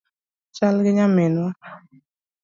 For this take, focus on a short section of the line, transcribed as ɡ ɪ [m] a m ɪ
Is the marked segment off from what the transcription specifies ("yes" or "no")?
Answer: yes